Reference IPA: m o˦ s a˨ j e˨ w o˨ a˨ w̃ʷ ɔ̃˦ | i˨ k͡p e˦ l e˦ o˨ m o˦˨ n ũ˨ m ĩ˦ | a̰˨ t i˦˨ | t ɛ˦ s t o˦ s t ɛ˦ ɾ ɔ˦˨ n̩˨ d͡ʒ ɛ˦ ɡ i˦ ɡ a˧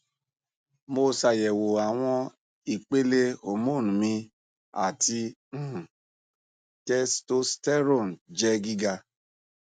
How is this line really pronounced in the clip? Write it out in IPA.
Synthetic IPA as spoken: m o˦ s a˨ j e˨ w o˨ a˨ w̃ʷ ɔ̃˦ | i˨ k͡p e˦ l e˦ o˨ m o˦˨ n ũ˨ m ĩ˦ | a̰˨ t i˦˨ | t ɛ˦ s t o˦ s t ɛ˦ ɾ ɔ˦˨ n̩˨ d͡ʒ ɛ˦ ɡ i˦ ɡ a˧